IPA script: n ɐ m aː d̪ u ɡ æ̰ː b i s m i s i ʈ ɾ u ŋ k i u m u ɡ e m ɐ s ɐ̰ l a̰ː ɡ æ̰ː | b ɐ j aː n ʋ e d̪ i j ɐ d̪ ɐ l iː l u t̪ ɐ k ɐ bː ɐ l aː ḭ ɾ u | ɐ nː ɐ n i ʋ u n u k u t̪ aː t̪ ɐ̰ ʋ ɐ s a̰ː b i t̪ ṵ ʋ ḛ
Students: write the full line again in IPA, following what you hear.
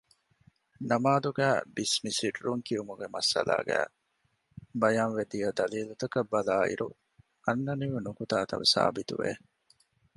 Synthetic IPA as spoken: n ɐ m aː d̪ u ɡ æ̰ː b i s m i s i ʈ ɾ u ŋ k i u m u ɡ e m ɐ s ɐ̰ l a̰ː ɡ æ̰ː | b ɐ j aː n ʋ e d̪ i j ɐ d̪ ɐ l iː l u t̪ ɐ k ɐ bː ɐ l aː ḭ ɾ u | ɐ nː ɐ n i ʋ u n u k u t̪ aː t̪ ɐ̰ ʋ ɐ s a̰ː b i t̪ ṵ ʋ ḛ